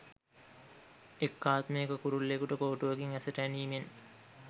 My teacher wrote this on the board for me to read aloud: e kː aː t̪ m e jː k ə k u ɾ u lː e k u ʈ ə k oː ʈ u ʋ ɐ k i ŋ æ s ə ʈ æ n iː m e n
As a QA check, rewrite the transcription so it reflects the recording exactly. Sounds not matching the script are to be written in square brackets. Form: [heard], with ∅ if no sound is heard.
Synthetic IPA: e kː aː t̪ m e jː k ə k u ɾ u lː e k u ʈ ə k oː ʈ u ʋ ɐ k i ŋ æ s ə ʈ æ n iː m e n